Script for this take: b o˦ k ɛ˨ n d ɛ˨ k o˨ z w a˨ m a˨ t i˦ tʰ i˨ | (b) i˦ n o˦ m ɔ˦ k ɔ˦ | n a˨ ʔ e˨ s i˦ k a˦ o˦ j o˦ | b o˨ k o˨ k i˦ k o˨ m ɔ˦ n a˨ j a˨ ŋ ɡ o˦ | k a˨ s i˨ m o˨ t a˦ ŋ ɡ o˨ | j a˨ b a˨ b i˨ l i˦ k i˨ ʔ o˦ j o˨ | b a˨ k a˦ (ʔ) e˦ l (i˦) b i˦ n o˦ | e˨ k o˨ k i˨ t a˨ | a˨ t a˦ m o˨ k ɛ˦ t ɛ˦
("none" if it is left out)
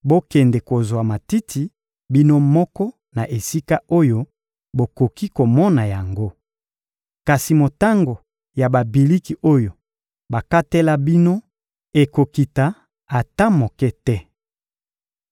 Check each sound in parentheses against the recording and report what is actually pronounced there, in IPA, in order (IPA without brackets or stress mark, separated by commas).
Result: b, t, a˦